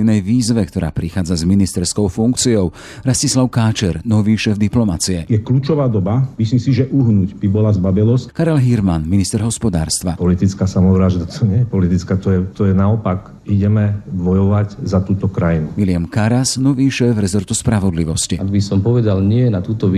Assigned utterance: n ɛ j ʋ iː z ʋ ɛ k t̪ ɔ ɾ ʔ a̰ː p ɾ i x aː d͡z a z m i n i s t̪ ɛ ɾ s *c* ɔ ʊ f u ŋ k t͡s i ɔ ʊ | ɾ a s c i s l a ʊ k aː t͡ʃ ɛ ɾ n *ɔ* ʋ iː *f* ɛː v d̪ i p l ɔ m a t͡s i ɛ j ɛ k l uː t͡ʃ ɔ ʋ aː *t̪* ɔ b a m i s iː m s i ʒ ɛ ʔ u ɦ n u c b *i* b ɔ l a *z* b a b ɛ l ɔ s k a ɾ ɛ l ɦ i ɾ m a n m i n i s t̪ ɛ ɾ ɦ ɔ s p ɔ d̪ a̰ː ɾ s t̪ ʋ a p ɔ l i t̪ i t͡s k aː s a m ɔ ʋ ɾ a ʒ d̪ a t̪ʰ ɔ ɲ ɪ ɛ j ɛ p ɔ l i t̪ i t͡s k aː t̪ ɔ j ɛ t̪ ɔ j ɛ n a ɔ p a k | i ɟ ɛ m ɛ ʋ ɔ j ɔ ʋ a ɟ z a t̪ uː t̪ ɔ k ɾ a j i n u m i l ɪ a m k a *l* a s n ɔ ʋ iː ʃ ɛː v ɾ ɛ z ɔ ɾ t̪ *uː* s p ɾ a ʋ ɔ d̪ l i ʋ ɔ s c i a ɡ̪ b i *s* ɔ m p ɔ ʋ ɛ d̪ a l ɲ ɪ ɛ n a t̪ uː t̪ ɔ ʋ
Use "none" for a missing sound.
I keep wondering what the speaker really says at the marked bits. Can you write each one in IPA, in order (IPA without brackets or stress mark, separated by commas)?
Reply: k, ɔ, ʃ, d̪, i, z, ɾ, u, s